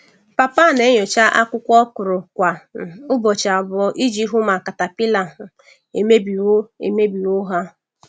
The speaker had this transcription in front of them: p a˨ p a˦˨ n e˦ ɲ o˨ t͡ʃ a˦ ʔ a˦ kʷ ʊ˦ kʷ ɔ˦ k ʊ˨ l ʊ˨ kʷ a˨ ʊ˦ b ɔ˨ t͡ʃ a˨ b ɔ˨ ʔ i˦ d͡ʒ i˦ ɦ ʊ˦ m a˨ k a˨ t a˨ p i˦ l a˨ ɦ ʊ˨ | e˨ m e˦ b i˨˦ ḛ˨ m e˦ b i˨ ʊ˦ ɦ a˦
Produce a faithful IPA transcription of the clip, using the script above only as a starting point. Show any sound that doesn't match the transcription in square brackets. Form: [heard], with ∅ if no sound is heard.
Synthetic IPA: p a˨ p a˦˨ n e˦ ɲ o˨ t͡ʃ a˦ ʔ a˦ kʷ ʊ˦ kʷ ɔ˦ k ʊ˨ [ɾ] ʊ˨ kʷ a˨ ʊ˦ b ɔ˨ t͡ʃ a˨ b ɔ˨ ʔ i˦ d͡ʒ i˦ ɦ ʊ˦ m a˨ k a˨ t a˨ p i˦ l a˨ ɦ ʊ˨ | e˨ m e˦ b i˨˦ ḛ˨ m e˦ b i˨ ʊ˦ ɦ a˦